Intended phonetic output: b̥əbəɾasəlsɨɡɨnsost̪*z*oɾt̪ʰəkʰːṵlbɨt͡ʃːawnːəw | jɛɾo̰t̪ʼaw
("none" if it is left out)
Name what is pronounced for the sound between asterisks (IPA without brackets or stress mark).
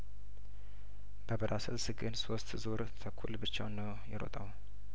z